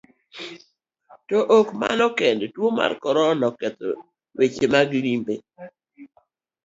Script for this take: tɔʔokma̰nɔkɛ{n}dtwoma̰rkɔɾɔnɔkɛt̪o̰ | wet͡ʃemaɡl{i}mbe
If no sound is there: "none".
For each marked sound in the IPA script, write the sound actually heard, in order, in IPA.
n, i

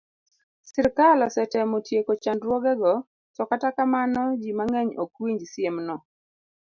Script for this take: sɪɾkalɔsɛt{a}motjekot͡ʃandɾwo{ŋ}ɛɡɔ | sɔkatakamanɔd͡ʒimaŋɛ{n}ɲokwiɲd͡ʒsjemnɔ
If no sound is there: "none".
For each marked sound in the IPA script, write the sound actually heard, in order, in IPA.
ɛ, ɡ, none

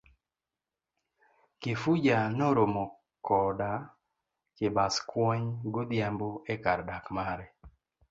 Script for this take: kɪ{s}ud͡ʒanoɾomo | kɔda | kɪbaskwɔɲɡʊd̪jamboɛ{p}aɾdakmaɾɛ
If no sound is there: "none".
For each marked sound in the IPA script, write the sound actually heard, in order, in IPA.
f, k

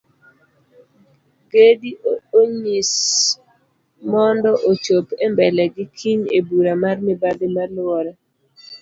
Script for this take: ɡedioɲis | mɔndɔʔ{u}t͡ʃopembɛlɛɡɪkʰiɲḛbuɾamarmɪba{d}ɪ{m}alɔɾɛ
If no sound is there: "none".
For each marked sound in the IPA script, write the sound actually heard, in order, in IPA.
o, d, m

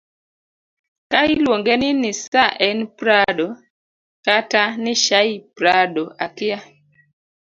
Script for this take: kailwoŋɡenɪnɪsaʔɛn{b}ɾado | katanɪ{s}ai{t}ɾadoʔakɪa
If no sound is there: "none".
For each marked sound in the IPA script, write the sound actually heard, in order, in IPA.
p, ʃ, p

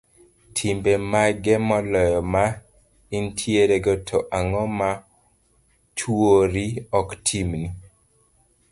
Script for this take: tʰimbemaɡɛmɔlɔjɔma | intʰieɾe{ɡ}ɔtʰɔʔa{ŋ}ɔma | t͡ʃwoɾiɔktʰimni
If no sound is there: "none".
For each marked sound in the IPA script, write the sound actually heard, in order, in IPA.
ɡ, ŋ

